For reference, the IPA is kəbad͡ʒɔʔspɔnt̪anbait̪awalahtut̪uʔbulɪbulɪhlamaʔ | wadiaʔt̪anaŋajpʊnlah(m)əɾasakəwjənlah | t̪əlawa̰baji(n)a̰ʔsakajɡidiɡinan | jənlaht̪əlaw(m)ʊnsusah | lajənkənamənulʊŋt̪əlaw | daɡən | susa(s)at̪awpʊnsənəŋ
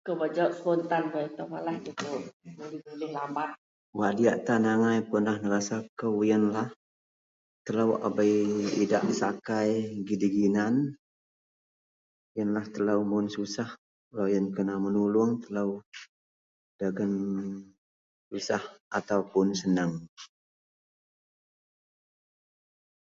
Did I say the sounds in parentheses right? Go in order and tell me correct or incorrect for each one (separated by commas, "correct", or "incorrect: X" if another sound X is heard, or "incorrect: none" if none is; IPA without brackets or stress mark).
incorrect: n, incorrect: d, correct, incorrect: h